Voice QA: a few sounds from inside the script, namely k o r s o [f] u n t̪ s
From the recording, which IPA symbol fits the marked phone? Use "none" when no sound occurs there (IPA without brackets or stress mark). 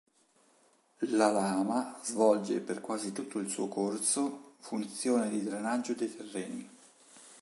f